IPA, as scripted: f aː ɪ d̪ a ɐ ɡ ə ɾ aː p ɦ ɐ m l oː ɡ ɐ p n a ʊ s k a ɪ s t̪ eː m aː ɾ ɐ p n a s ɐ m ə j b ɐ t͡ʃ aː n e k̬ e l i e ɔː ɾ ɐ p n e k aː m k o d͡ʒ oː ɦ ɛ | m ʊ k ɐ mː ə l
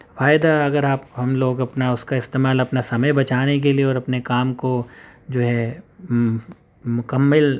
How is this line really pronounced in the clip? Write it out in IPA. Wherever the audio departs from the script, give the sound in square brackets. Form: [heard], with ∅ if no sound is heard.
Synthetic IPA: f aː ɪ d̪ a ɐ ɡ ə ɾ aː p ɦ ɐ m l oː ɡ ɐ p n a ʊ s k a ɪ s t̪ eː m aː [l] ɐ p n a s ɐ m ə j b ɐ t͡ʃ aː n e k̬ e l i e ɔː ɾ ɐ p n e k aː m k o d͡ʒ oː ɦ ɛ | m ʊ k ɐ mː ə l